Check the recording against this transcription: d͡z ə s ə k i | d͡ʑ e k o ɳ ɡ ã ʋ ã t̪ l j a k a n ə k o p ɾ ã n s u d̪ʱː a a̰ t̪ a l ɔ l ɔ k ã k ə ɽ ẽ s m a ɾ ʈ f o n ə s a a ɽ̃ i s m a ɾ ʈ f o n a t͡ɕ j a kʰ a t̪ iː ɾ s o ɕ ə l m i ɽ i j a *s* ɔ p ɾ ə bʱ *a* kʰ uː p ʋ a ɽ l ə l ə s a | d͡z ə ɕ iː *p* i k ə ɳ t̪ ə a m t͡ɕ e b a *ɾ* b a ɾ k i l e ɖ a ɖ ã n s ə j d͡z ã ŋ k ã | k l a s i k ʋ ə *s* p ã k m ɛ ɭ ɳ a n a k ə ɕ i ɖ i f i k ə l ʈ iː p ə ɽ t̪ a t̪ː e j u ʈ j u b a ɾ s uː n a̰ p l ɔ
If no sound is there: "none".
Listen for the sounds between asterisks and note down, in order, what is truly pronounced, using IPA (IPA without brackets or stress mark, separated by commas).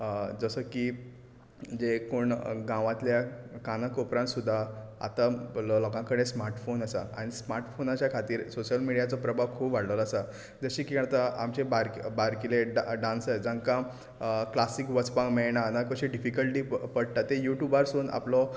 t͡s, a, k, ɾ, t͡s